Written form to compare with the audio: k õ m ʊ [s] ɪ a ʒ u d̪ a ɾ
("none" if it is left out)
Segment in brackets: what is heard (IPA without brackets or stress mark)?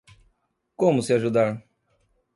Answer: s